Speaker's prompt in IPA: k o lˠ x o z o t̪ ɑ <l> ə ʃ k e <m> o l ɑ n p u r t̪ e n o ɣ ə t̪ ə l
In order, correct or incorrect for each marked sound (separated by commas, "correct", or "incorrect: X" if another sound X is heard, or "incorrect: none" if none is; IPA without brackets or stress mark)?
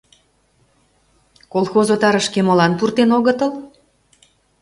incorrect: ɾ, correct